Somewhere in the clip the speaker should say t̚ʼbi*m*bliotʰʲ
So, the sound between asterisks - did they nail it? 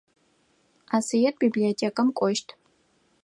no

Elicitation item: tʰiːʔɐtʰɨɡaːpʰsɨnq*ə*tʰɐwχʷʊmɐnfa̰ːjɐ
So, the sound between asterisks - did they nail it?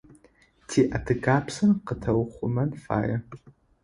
yes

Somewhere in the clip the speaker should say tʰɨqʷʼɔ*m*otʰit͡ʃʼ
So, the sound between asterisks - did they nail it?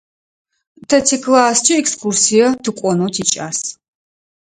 no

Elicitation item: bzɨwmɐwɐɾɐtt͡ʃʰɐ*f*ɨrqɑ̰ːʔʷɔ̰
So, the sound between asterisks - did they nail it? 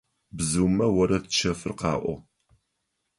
yes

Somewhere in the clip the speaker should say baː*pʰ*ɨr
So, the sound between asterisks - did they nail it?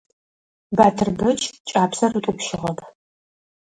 no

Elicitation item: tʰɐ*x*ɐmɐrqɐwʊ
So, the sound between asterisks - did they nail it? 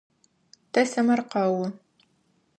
no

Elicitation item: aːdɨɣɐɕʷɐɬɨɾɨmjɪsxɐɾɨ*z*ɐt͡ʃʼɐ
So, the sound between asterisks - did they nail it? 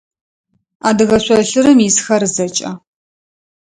yes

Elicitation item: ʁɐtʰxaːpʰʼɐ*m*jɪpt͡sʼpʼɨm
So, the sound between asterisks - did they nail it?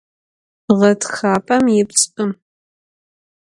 yes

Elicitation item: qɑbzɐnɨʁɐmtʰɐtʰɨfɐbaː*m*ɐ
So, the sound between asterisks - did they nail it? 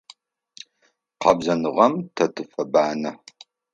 no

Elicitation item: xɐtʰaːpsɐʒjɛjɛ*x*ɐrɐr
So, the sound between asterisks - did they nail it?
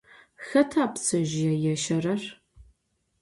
no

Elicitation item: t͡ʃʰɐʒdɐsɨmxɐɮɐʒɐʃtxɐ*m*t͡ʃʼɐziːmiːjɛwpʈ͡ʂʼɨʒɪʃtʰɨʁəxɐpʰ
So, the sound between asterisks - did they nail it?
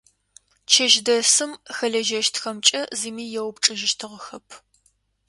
yes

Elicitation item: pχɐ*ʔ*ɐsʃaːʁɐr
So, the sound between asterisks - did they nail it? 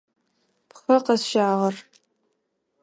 no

